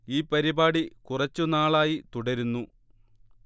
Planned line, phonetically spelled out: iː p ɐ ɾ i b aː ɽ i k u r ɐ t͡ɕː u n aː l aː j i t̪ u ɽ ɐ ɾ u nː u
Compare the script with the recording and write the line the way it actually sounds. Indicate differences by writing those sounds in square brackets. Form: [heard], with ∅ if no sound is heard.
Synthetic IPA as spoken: iː p ɐ ɾ i b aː ɽ i k u r ɐ t͡ɕː u n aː [ɭ] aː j i t̪ u ɽ ɐ ɾ u nː u

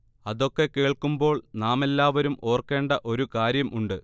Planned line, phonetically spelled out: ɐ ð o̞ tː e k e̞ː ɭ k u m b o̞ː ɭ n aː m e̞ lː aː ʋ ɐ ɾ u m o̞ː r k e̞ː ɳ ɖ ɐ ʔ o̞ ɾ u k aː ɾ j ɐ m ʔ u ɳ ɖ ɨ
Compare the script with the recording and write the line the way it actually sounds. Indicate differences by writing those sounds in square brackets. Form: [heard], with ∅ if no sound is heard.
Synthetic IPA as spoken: ɐ ð o̞ [kː] e k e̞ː ɭ k u m b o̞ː ɭ n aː m e̞ lː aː ʋ ɐ ɾ u m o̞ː r k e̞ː ɳ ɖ ɐ ʔ o̞ ɾ u k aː ɾ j ɐ m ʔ u ɳ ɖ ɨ

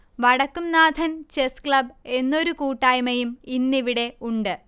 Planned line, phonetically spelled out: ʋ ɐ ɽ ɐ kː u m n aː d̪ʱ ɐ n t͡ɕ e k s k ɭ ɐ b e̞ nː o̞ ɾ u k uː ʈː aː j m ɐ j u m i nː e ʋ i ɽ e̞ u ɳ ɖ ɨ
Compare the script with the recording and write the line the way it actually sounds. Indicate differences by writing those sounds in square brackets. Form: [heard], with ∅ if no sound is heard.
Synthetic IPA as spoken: ʋ ɐ ɽ ɐ kː u m n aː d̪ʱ ɐ n t͡ɕ e [∅] s k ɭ ɐ b e̞ nː o̞ ɾ u k uː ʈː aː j m ɐ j u m i nː [i] ʋ i ɽ e̞ u ɳ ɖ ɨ

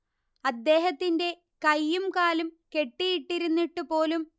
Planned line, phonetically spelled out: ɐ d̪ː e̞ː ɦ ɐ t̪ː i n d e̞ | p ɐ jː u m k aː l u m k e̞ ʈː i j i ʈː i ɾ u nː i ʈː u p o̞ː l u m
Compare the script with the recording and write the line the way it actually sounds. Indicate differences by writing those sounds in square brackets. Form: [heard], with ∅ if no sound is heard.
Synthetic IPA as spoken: ɐ d̪ː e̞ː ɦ ɐ t̪ː i n d e̞ | [k] ɐ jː u m k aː l u m k e̞ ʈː i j i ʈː i ɾ u nː i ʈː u p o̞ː l u m

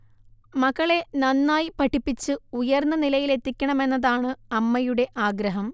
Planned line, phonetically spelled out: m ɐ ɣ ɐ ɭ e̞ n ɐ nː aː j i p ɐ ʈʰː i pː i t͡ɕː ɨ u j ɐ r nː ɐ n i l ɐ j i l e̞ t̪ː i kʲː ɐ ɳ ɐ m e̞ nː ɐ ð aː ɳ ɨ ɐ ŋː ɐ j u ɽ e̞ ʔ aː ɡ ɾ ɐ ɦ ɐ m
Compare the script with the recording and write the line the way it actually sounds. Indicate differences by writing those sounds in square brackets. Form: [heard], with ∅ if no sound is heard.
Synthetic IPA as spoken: m ɐ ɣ ɐ ɭ e̞ n ɐ nː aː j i p ɐ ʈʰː i pː i t͡ɕː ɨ u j ɐ r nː ɐ n i l ɐ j i l e̞ t̪ː i kʲː ɐ ɳ ɐ m e̞ nː ɐ ð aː ɳ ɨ ɐ [mː] ɐ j u ɽ e̞ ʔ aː ɡ ɾ ɐ ɦ ɐ m

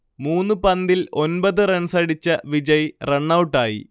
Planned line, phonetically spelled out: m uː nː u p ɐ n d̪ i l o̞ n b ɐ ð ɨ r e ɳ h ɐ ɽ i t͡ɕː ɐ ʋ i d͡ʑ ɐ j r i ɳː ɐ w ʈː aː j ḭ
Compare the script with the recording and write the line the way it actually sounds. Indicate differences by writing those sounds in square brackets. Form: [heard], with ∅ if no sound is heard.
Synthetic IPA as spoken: m uː nː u p ɐ n d̪ i l o̞ n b ɐ ð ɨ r e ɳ [s] ɐ ɽ i t͡ɕː ɐ ʋ i d͡ʑ ɐ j r [e] ɳː ɐ w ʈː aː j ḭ

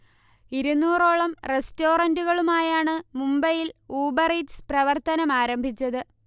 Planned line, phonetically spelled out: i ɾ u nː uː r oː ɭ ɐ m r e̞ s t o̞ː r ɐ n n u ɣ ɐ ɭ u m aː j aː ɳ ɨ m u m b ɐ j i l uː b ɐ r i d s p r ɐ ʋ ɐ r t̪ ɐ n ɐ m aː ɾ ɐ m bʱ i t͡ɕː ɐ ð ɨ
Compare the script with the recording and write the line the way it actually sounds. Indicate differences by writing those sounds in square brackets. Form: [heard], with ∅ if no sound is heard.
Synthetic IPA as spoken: i ɾ u nː uː r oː ɭ ɐ m r e̞ s t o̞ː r ɐ n [d] u ɣ ɐ ɭ u m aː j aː ɳ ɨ m u m b ɐ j i l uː b ɐ r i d s p r ɐ ʋ ɐ r t̪ ɐ n ɐ m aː ɾ ɐ m bʱ i t͡ɕː ɐ ð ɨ

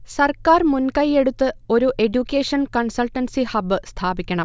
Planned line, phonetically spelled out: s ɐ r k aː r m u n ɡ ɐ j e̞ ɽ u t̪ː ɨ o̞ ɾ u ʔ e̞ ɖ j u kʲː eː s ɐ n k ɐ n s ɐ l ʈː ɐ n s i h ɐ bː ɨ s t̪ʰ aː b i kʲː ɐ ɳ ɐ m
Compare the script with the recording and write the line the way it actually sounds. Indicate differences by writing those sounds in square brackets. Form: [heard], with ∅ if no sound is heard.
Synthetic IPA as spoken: s ɐ r k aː r m u n [k] ɐ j e̞ ɽ u t̪ː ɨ o̞ ɾ u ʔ e̞ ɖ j u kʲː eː [ʂ] ɐ n k ɐ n s ɐ l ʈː ɐ n s i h ɐ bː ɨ s t̪ʰ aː b i kʲː ɐ ɳ ɐ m

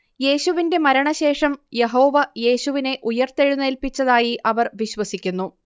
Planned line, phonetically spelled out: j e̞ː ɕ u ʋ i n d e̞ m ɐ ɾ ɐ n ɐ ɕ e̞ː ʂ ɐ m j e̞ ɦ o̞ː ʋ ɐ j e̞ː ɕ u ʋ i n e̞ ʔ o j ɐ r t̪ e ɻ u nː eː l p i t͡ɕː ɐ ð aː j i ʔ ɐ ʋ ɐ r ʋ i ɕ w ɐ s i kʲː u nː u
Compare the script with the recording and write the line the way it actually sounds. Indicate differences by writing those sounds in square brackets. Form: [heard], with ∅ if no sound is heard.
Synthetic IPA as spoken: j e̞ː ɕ u ʋ i n d e̞ m ɐ ɾ ɐ [ɳ] ɐ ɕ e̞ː ʂ ɐ m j e̞ ɦ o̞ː ʋ ɐ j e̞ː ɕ u ʋ i n e̞ ʔ [u] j ɐ r t̪ e ɻ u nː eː l p i t͡ɕː ɐ ð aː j i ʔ ɐ ʋ ɐ r ʋ i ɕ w ɐ s i kʲː u nː u

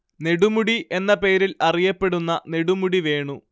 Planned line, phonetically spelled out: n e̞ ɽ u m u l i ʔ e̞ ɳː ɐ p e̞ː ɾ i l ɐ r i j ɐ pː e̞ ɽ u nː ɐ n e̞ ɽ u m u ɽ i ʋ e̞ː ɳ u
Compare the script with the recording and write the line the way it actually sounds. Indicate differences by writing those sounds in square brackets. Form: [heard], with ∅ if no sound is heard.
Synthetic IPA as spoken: n e̞ ɽ u m u [ɽ] i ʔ e̞ [nː] ɐ p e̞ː ɾ i l ɐ r i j ɐ pː e̞ ɽ u nː ɐ n e̞ ɽ u m u ɽ i ʋ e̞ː ɳ u

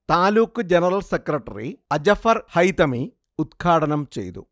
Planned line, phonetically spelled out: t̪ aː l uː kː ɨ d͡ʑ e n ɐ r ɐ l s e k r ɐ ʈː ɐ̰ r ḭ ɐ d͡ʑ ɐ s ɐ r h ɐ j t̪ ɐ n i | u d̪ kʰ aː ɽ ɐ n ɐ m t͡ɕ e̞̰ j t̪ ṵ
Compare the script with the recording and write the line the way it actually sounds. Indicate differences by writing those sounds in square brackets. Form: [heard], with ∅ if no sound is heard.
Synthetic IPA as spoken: t̪ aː l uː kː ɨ d͡ʑ e n ɐ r ɐ l s e k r ɐ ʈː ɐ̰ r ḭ ɐ d͡ʑ ɐ [f] ɐ r h ɐ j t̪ ɐ [m] i | u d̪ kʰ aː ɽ ɐ n ɐ m t͡ɕ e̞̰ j t̪ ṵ

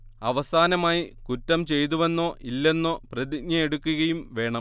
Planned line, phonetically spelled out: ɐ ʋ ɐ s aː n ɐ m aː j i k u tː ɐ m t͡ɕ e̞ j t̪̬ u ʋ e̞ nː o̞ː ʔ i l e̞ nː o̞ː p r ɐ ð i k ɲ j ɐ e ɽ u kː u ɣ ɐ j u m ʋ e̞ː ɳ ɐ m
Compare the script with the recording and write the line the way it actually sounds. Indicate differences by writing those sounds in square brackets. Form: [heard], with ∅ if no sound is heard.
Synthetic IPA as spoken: ɐ ʋ ɐ s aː n ɐ m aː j i k u tː ɐ m t͡ɕ e̞ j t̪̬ u ʋ e̞ nː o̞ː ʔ i [lː] e̞ nː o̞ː p r ɐ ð i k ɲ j ɐ e ɽ u kː u ɣ ɐ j u m ʋ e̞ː ɳ ɐ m

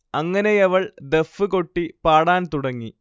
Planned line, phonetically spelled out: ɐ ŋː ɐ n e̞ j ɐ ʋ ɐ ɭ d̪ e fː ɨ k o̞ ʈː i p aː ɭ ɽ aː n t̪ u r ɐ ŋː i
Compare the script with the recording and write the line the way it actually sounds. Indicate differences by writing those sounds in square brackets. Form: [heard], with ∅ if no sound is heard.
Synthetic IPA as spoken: ɐ ŋː ɐ n e̞ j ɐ ʋ ɐ ɭ d̪ e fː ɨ k o̞ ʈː i p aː [∅] ɽ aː n t̪ u [ɽ] ɐ ŋː i

